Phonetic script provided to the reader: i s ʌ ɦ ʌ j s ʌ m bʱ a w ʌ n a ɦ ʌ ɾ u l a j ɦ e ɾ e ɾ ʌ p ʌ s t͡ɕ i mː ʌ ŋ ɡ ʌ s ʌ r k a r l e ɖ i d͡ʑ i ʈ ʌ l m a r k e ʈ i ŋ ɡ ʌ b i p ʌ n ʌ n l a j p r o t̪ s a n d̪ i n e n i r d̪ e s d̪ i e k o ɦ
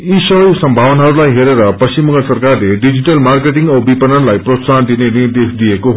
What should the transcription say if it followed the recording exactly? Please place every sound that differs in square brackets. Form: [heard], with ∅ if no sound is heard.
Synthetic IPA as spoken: i s ʌ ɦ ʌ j s ʌ m bʱ a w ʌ n a ɦ ʌ ɾ u l a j ɦ e ɾ e ɾ ʌ p ʌ s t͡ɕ i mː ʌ ŋ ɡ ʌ s ʌ r k a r l e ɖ i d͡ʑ i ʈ ʌ l m a r k e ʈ i ŋ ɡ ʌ b i p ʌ n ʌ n l a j p r o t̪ s a n d̪ i n e n i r d̪ e s d̪ i e k o ɦ